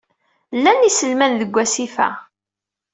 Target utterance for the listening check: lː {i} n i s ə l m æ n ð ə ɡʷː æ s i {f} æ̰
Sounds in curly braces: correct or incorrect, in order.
incorrect: æ, correct

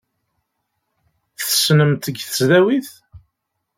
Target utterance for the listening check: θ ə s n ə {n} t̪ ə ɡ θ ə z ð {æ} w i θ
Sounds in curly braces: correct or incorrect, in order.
incorrect: m, correct

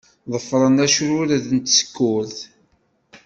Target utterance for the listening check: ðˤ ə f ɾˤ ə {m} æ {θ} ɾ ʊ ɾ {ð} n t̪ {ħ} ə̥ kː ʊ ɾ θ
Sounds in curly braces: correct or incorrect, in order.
incorrect: n, incorrect: ʃ, correct, incorrect: s

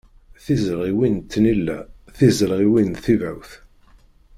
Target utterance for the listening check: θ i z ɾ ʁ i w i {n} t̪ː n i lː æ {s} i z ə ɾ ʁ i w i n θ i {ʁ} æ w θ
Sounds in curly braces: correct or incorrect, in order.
correct, incorrect: θ, incorrect: v

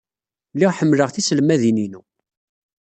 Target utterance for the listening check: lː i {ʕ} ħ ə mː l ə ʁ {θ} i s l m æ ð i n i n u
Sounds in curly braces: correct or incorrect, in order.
incorrect: ʁ, correct

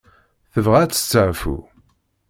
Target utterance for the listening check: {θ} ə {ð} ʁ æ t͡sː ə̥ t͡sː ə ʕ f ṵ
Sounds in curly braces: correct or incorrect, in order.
correct, incorrect: v

